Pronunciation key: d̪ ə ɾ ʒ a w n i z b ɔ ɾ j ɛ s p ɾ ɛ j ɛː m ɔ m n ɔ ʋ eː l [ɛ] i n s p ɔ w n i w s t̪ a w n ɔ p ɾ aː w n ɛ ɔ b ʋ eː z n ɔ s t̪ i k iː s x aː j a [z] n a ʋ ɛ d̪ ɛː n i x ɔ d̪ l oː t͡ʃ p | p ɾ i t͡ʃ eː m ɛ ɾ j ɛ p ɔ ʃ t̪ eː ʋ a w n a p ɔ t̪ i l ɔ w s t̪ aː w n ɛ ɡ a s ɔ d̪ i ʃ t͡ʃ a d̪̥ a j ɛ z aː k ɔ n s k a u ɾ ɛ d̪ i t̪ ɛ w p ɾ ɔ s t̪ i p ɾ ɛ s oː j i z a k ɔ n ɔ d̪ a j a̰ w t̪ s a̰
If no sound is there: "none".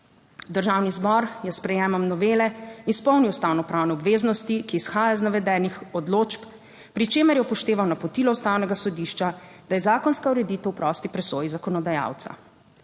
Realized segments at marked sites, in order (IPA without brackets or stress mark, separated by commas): ɛ, z